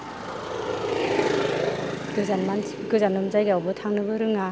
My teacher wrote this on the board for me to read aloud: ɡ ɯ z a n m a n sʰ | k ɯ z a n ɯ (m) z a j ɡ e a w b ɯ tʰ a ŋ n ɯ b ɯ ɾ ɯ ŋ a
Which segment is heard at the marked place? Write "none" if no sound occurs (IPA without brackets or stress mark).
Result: m